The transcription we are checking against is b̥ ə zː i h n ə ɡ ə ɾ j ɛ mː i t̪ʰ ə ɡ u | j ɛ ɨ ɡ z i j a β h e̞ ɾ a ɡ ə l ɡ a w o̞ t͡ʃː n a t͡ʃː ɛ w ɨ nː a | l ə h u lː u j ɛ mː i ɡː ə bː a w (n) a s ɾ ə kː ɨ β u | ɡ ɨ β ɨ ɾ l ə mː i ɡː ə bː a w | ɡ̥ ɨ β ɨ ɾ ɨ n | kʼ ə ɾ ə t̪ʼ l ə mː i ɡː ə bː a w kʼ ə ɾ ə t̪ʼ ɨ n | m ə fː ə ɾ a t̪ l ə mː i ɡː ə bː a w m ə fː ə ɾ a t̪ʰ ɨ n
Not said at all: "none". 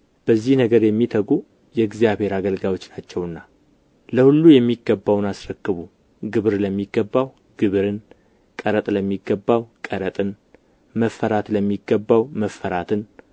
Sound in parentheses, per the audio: n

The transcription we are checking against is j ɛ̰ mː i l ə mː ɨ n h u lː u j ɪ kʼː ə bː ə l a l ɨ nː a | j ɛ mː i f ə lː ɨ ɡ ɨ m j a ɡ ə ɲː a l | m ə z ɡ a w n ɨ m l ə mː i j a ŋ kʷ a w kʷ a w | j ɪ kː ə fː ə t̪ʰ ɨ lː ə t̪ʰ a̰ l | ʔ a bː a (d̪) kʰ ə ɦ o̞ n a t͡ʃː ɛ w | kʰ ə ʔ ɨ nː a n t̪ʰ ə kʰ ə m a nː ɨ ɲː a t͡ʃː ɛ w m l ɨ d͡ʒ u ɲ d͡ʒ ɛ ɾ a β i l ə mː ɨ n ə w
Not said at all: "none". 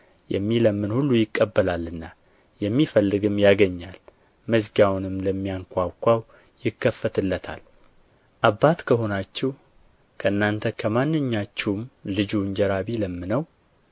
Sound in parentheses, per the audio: t̪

